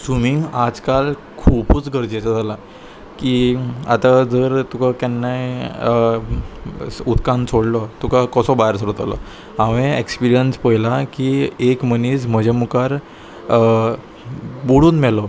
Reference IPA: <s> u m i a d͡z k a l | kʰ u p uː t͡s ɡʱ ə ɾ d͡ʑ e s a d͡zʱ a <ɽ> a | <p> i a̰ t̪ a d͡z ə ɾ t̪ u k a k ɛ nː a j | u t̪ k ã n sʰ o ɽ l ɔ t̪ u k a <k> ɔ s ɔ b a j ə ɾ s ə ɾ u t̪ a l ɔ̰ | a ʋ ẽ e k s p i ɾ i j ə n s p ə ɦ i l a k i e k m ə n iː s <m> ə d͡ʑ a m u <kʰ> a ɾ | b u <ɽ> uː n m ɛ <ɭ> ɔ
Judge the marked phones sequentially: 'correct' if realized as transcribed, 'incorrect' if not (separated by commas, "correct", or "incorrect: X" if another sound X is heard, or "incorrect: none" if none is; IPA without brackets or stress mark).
correct, incorrect: l, incorrect: k, correct, correct, incorrect: k, correct, incorrect: l